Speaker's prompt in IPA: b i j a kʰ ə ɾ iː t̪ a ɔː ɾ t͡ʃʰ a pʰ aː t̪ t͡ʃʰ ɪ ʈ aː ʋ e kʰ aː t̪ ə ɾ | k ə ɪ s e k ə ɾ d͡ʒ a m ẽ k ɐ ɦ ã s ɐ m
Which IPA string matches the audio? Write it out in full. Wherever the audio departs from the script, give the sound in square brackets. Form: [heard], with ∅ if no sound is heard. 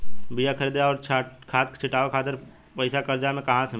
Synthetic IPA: b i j a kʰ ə ɾ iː [d̪] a ɔː ɾ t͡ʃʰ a [kʰ] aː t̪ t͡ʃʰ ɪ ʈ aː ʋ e kʰ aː t̪ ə ɾ | [p] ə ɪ s [a] k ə ɾ d͡ʒ a m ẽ k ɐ ɦ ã s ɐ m